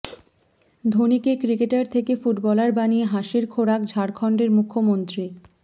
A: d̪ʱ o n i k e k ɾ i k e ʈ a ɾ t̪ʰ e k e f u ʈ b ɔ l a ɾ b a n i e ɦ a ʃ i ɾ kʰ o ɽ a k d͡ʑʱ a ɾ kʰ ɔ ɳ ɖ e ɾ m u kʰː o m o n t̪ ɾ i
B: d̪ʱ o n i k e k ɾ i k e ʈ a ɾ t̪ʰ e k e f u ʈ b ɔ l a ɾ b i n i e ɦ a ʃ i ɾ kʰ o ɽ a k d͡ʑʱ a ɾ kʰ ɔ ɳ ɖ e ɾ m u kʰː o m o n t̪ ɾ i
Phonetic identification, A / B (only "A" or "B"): A